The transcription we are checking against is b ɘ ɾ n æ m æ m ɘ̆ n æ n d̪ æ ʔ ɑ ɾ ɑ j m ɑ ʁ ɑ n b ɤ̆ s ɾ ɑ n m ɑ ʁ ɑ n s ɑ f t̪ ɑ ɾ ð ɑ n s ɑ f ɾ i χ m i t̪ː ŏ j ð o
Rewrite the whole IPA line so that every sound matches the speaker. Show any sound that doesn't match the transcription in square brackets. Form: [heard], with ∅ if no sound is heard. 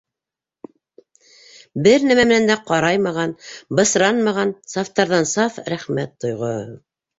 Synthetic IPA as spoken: b ɘ ɾ n æ m æ m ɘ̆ n æ n d̪ æ [q] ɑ ɾ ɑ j m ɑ ʁ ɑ n b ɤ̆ s ɾ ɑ n m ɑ ʁ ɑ n s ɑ f t̪ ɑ ɾ ð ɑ n s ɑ f ɾ [æ] χ m [æ] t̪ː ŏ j [ʁ] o